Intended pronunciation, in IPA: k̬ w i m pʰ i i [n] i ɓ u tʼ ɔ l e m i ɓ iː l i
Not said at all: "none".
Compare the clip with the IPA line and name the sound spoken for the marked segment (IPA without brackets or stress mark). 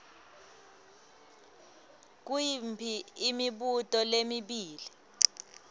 m